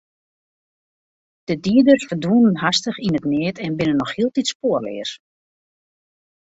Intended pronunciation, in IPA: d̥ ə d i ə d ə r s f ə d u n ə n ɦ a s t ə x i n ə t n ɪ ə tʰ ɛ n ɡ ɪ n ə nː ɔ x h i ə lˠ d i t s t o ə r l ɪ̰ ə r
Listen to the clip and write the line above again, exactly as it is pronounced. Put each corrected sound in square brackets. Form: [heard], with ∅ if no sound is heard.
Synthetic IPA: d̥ ə d i ə d ə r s f ə d u n ə n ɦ a s t ə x i n ə t n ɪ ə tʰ ɛ n [b] ɪ n ə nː ɔ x h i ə lˠ [t] i t s [p] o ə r l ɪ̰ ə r